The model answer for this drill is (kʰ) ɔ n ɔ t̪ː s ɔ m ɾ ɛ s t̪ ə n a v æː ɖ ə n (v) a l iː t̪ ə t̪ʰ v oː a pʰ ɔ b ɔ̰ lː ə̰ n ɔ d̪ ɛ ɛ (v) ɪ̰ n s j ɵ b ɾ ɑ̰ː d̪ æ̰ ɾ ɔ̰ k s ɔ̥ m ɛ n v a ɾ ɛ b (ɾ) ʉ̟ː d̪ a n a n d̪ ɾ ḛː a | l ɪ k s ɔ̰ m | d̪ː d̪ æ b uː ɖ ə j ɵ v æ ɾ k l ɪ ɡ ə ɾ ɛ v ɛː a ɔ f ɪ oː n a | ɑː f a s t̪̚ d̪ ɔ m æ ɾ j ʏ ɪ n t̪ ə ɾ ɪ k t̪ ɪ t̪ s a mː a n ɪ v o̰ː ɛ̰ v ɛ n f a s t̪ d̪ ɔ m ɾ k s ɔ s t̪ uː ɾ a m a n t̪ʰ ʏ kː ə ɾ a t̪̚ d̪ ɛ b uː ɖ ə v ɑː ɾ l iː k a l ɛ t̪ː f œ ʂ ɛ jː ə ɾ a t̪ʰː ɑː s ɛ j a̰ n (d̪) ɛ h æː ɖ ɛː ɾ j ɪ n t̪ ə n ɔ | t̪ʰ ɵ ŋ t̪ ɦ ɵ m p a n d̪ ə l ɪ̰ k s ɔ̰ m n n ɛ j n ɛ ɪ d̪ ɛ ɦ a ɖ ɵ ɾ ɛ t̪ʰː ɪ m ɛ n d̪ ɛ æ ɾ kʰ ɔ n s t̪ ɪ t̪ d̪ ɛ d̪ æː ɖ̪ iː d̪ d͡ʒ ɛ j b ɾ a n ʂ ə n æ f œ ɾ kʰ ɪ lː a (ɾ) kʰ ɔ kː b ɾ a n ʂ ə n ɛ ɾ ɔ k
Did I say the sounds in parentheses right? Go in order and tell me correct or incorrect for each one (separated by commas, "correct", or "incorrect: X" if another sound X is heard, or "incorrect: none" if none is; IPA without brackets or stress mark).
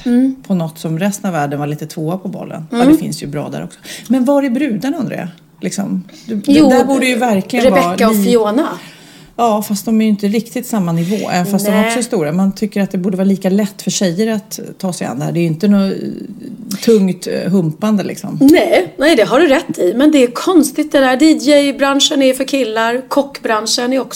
incorrect: pʰ, correct, incorrect: f, correct, correct, correct